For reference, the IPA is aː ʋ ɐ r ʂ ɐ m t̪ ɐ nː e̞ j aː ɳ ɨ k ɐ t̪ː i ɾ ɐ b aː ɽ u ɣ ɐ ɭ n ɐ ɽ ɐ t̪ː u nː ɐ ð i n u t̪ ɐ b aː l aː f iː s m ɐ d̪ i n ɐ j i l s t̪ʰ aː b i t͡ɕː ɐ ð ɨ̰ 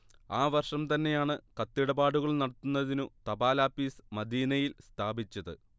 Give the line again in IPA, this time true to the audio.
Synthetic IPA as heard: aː ʋ ɐ r ʂ ɐ m t̪ ɐ nː e̞ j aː ɳ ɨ k ɐ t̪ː i ɽ ɐ b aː ɽ u ɣ ɐ ɭ n ɐ ɽ ɐ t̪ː u nː ɐ ð i n u t̪ ɐ b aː l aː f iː s m ɐ d̪ iː n ɐ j i l s t̪ʰ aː b i t͡ɕː ɐ ð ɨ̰